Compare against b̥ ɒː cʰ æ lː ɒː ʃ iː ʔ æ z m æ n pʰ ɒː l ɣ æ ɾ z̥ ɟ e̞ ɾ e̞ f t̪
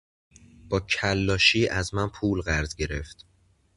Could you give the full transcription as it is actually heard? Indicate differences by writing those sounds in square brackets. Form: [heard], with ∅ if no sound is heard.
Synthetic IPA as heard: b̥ ɒː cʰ æ lː ɒː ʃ iː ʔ æ z m æ n pʰ [uː] l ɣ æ ɾ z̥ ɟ e̞ ɾ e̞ f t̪